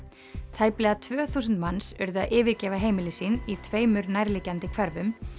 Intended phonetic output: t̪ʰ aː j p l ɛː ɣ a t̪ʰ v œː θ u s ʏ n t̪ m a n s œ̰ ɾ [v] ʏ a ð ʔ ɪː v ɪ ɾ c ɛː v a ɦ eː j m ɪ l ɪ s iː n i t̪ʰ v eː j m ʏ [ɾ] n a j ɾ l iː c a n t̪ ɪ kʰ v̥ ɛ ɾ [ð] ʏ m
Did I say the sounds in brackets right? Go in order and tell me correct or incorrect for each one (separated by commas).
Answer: incorrect, correct, incorrect